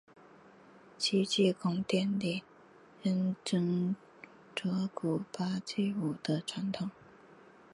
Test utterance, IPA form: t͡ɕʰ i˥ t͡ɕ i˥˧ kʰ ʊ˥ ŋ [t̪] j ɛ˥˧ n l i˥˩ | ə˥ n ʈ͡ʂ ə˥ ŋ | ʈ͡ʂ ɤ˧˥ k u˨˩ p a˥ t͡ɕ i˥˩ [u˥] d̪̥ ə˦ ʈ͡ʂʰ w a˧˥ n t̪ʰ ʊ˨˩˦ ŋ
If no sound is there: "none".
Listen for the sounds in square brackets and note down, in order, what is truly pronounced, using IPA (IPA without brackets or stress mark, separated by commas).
t̪, u˨˩